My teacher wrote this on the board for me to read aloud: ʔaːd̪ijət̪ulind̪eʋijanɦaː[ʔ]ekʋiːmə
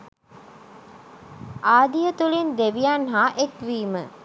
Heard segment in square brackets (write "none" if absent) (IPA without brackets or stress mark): ʔ